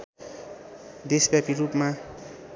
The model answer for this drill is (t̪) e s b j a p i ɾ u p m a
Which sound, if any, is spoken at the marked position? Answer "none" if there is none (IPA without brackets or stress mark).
d̪